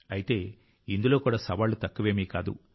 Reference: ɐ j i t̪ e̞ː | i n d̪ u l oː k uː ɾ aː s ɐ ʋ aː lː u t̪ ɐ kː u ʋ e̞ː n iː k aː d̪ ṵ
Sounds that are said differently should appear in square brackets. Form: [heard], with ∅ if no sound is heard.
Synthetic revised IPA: ɐ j i t̪ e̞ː | i n d̪ u l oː k uː [ɽ] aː s ɐ ʋ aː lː u t̪ ɐ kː u ʋ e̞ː [m] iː k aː d̪ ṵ